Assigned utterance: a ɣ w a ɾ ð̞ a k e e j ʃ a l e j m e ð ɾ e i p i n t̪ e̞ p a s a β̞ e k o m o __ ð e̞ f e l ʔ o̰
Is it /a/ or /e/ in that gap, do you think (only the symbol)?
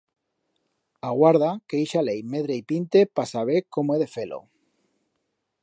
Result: e